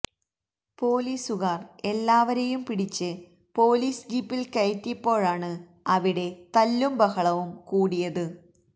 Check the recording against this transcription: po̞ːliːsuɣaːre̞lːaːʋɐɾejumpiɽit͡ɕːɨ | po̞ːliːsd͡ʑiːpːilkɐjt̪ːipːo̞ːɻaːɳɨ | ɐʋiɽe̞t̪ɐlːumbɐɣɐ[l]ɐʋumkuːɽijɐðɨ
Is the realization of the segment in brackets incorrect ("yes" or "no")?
yes